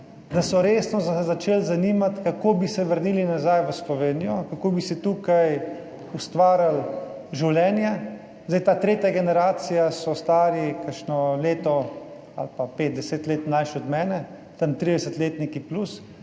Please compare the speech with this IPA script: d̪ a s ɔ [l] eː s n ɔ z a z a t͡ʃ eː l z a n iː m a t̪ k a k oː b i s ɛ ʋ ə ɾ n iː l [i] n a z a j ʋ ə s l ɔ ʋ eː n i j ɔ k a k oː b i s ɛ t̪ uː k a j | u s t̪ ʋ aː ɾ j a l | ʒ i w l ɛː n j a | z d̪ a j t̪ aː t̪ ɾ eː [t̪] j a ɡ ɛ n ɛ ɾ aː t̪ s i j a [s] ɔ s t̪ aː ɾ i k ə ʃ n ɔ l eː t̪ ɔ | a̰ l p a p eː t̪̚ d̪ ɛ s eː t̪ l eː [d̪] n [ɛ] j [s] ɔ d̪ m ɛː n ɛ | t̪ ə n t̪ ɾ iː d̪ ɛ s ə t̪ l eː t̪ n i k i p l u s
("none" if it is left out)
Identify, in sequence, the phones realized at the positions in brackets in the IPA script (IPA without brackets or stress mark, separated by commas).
ɾ, i, t̪, s, t̪, a, ʃ